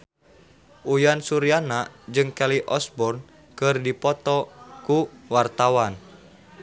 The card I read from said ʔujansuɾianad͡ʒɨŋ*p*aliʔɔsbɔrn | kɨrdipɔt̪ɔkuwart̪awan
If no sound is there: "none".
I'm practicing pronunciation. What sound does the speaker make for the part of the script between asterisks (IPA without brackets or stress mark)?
k